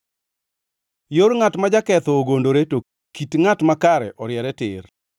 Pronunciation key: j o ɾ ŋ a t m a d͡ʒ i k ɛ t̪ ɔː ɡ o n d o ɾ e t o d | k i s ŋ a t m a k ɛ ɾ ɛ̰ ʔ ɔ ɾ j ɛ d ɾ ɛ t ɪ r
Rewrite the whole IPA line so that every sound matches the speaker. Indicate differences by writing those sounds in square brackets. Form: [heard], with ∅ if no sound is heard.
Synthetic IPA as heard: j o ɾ ŋ a t m a d͡ʒ [a] k ɛ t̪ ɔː ɡ o n d o ɾ e t o [∅] | k i [t] ŋ a t m a k [a] ɾ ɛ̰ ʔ ɔ ɾ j ɛ [∅] ɾ ɛ t ɪ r